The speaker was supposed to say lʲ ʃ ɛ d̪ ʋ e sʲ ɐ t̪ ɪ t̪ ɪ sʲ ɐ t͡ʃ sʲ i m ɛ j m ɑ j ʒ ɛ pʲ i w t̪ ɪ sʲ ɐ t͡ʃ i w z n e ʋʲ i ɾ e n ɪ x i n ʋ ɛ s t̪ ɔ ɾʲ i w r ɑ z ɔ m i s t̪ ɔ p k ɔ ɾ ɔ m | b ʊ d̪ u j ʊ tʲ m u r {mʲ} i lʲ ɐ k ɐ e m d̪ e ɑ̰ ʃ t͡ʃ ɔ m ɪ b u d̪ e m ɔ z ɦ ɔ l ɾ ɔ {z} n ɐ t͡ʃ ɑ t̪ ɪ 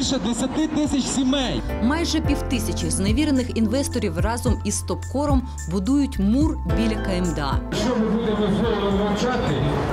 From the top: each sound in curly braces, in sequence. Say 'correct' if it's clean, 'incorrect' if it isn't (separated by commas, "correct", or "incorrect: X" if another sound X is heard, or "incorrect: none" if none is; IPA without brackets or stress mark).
incorrect: bʲ, correct